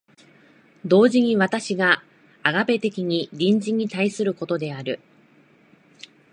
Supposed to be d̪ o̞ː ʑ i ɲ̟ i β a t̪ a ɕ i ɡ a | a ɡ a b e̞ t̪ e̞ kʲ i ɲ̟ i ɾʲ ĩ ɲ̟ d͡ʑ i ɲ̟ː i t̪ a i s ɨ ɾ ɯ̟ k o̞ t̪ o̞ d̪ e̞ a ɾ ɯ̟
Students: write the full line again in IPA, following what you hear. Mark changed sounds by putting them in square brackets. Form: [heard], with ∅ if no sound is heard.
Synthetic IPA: d̪ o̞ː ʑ i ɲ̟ i β a t̪ a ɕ i ɡ a | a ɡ a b e̞ t̪ e̞ kʲ i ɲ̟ i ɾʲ ĩ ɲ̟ d͡ʑ i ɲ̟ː i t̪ a i s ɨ ɾ ɯ̟ k o̞ t̪ o̞ d̪ e̞ a ɾ ɯ̟